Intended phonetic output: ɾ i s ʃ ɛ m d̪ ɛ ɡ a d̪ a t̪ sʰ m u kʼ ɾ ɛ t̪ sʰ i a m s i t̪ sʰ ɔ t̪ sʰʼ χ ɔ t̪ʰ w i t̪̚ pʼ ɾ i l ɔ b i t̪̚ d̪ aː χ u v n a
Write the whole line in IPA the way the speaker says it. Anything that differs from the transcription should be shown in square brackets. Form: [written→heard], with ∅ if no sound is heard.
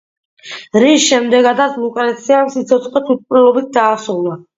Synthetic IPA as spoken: ɾ i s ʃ ɛ m d̪ ɛ ɡ a d̪ a t̪ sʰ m u kʼ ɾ ɛ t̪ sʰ i a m s i t̪ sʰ ɔ t̪ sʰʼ χ ɔ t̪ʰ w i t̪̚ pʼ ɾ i l ɔ b i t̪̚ d̪ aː [χ→s] u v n a